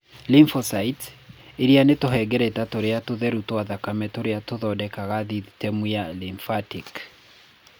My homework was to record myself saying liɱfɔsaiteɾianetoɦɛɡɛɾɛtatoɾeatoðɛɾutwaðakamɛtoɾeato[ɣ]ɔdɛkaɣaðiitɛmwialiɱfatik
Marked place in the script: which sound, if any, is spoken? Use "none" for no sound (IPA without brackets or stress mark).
ð